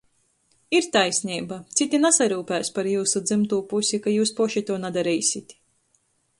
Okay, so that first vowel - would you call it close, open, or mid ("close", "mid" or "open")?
close